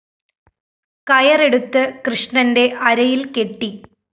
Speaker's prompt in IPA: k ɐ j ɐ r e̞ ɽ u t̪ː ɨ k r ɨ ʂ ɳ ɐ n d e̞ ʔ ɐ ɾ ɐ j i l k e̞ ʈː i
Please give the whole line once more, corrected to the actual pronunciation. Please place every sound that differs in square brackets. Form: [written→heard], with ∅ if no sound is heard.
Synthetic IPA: k ɐ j ɐ r e̞ ɽ u t̪ː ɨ k r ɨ ʂ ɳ ɐ n d e̞ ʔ ɐ ɾ ɐ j i l k e̞ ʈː i

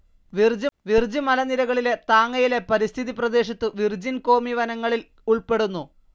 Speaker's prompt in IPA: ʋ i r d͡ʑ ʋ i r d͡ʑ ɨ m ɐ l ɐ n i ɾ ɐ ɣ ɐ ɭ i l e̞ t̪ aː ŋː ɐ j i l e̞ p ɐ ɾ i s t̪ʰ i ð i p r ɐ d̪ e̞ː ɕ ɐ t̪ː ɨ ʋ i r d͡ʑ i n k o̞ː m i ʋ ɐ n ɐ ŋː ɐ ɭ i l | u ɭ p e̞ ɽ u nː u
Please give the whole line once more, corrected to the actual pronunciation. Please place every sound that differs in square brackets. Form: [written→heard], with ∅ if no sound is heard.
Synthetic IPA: ʋ i r d͡ʑ ʋ i r d͡ʑ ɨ m ɐ l ɐ n i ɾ ɐ ɣ ɐ ɭ i l e̞ t̪ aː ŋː ɐ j i l e̞ p ɐ ɾ i s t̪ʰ i ð i p r ɐ d̪ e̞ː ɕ ɐ t̪ː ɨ ʋ i r d͡ʑ i n k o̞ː m i ʋ ɐ n ɐ ŋː ɐ ɭ i l | u ɭ p e̞ ɽ u nː u

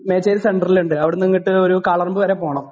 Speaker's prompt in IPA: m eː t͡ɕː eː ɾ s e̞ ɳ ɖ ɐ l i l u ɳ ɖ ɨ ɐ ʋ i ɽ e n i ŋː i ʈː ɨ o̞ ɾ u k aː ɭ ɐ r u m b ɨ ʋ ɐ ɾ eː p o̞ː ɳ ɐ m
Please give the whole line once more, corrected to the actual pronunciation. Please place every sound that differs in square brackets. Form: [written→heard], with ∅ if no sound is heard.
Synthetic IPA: m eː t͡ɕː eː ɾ s e̞ ɳ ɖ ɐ [l→r] i l u ɳ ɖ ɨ ɐ ʋ i ɽ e n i ŋː i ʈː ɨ o̞ ɾ u k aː ɭ ɐ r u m b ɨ ʋ ɐ ɾ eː p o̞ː ɳ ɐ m

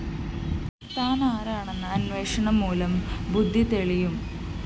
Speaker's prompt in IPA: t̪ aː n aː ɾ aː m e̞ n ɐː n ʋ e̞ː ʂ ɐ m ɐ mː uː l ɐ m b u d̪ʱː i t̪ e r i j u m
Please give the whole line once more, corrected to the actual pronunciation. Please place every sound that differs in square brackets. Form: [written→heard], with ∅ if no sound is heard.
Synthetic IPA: t̪ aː n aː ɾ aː [m→ɳ] e̞ [n→nː] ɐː n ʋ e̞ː ʂ ɐ [m→ɳ] ɐ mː uː l ɐ m b u d̪ʱː i t̪ e [r→ɭ] i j u m

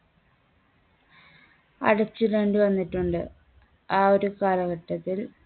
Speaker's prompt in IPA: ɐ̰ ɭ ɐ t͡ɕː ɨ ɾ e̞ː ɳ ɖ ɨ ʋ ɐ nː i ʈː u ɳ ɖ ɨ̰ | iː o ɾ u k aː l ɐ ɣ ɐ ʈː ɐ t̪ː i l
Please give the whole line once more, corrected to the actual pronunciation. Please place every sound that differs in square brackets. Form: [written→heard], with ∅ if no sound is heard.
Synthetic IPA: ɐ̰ [ɭ→ɽ] ɐ t͡ɕː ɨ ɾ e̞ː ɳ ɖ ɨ ʋ ɐ nː i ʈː u ɳ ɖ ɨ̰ | [iː→aː] o ɾ u k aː l ɐ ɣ ɐ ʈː ɐ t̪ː i l

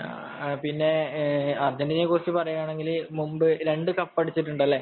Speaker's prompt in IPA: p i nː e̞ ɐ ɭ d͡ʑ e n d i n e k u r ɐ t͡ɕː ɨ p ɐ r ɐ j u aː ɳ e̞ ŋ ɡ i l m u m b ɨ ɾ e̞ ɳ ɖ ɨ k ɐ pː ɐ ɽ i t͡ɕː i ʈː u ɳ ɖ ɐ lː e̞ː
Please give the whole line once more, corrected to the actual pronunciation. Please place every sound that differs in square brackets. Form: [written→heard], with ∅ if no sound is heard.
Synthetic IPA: p i nː e̞ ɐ [ɭ→r] d͡ʑ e n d i n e k u r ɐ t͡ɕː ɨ p ɐ r ɐ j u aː ɳ e̞ ŋ ɡ i l m u m b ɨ ɾ e̞ ɳ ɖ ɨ k ɐ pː ɐ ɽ i t͡ɕː i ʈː u ɳ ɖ ɐ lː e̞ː

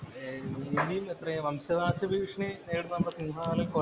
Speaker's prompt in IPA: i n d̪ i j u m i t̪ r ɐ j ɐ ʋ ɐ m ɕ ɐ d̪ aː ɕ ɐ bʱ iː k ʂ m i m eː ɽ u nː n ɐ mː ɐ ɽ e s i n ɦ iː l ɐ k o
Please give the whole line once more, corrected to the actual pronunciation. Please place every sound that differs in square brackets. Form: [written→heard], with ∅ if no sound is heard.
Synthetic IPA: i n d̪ i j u m [i→e] t̪ r ɐ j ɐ ʋ ɐ m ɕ ɐ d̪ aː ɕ ɐ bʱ iː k ʂ [m→ɳ] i [m→n] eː ɽ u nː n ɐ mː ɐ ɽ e s i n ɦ [iː→aː] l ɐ k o

